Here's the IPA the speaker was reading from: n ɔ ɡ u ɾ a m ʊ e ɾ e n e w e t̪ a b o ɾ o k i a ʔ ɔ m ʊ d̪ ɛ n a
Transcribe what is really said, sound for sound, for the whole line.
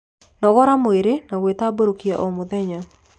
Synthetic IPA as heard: n ɔ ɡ ɔ ɾ a m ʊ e ɾ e n a w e t̪ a b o ɾ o k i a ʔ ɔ m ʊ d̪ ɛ ɲ a